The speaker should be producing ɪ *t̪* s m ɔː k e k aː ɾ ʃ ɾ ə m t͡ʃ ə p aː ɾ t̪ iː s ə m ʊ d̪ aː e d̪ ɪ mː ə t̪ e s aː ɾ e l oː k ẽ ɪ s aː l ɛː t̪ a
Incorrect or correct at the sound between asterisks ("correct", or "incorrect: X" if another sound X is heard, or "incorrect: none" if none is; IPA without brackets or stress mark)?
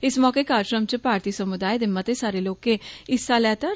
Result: incorrect: none